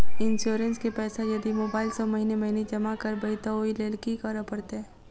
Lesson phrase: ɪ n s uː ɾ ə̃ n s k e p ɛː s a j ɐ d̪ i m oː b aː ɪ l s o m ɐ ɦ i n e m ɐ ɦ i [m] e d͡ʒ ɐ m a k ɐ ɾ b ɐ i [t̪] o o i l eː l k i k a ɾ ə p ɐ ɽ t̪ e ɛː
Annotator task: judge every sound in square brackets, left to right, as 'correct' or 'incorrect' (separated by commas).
incorrect, correct